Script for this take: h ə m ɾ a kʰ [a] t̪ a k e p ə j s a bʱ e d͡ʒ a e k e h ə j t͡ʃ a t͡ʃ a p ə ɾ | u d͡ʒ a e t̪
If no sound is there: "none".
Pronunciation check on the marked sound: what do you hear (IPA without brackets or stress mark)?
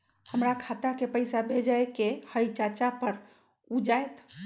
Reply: a